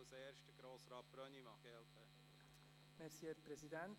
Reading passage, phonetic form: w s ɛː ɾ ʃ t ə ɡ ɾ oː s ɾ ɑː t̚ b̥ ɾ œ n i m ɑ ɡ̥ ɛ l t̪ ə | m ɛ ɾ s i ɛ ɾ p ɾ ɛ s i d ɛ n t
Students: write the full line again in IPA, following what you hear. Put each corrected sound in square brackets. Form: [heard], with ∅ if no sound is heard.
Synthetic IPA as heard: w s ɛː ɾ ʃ t ə ɡ ɾ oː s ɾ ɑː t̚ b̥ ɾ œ n i m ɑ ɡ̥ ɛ l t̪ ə | m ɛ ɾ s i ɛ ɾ p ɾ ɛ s i d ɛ n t